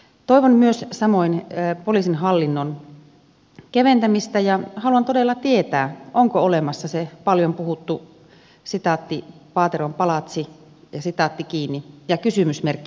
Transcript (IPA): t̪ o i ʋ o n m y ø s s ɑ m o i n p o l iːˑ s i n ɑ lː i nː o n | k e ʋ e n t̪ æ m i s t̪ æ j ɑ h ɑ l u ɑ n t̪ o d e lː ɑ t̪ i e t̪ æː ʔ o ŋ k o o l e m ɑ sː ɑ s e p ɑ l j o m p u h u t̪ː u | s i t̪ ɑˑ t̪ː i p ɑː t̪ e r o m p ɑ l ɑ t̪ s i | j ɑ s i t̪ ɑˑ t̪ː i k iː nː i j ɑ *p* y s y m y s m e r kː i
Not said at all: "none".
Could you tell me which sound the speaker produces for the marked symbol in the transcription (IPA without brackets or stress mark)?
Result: k